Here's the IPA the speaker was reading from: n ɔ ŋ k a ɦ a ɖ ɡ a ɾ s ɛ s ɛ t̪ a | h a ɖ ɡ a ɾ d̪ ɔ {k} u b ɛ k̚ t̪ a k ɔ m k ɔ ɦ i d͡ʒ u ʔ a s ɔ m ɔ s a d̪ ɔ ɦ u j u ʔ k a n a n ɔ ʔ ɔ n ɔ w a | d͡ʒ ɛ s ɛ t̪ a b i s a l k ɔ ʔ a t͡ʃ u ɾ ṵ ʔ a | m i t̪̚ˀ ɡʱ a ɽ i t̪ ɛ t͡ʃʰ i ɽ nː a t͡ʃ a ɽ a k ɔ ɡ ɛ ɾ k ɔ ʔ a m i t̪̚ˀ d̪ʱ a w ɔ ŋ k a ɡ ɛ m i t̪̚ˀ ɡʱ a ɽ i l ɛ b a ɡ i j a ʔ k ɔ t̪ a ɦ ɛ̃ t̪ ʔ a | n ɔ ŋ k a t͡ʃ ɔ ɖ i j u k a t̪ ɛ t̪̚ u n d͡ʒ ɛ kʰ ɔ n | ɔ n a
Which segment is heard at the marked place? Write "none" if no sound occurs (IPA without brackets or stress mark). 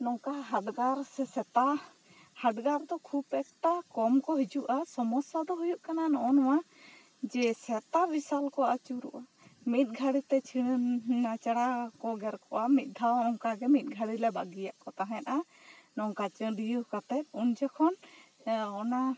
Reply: kʰ